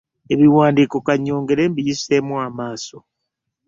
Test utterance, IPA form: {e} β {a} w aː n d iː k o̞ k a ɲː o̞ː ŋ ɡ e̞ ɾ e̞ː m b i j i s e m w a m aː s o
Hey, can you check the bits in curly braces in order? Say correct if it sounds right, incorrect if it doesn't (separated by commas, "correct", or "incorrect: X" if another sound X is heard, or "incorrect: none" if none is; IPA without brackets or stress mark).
correct, incorrect: i